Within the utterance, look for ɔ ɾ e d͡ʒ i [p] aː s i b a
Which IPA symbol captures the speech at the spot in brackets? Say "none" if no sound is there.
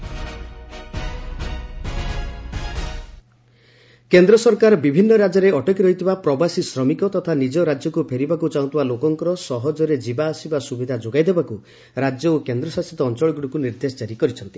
b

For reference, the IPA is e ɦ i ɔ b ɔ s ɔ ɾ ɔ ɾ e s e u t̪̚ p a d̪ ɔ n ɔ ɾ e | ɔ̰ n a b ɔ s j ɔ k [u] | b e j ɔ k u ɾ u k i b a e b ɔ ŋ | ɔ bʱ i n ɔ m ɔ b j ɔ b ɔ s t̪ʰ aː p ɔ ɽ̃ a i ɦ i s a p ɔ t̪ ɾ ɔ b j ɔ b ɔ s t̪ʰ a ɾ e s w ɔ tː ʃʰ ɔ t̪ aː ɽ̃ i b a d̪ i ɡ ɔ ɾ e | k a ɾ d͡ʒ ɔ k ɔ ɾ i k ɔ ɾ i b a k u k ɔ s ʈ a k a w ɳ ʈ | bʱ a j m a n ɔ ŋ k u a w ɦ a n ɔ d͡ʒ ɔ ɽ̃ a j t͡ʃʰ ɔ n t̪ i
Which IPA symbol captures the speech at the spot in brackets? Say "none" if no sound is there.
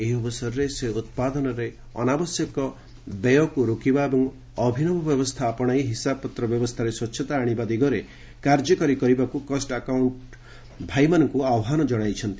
ɔ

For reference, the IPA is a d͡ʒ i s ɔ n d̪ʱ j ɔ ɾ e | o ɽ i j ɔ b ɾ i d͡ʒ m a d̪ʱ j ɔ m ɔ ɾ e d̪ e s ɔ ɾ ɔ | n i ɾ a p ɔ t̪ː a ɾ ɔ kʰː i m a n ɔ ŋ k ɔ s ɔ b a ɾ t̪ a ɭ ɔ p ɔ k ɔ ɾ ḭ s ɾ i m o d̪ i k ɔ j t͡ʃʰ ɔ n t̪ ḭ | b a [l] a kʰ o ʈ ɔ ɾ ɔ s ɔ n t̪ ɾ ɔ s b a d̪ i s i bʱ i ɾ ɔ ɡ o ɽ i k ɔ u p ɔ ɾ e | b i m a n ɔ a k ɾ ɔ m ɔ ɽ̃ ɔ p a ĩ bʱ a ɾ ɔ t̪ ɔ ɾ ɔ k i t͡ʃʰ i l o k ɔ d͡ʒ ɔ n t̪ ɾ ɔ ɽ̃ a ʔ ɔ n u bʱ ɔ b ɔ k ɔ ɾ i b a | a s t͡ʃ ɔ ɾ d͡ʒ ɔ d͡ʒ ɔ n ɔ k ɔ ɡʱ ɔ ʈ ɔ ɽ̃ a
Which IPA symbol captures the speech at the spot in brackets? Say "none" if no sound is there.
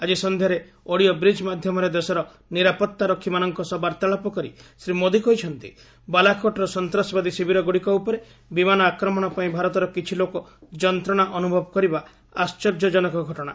l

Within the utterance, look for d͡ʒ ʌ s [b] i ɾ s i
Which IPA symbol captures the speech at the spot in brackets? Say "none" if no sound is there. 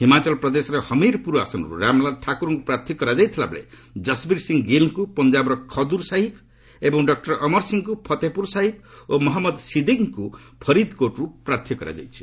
b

